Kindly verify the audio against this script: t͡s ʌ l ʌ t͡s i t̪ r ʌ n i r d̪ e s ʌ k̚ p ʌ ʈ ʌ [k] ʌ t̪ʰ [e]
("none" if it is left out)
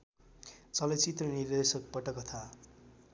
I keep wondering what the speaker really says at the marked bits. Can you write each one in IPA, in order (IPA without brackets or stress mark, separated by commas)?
k, a